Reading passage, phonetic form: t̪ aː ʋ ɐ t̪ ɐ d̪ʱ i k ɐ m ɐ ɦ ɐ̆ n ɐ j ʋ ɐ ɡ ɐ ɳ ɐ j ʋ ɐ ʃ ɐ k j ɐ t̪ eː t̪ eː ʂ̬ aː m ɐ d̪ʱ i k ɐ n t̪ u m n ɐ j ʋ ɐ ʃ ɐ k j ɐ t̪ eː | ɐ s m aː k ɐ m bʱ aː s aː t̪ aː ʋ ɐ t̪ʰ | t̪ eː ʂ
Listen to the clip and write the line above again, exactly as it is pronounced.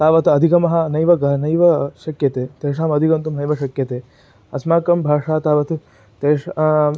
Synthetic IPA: t̪ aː ʋ ɐ t̪ ɐ d̪ʱ i k ɐ m ɐ ɦ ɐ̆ n ɐ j ʋ ɐ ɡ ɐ n ɐ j ʋ ɐ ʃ ɐ k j ɐ t̪ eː t̪ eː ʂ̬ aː m ɐ d̪ʱ i k ɐ n t̪ u m n ɐ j ʋ ɐ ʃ ɐ k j ɐ t̪ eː | ɐ s m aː k ɐ m bʱ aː ʂ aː t̪ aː ʋ ɐ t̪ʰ | t̪ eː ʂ